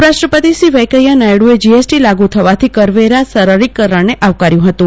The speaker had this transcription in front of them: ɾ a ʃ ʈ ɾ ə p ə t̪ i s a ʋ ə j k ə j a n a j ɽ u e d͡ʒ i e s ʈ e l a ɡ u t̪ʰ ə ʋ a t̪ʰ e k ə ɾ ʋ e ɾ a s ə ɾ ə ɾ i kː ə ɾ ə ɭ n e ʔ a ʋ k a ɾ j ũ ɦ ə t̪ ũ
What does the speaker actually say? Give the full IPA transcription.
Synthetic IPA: ɾ a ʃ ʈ ɾ ə p ə t̪ i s i ʋ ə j k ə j a n a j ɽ u e d͡ʒ i e s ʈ i l a ɡ u t̪ʰ ə ʋ a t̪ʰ i k ə ɾ ʋ e ɾ a s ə ɾ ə ɾ i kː ə ɾ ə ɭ n e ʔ a ʋ k a ɾ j ũ ɦ ə t̪ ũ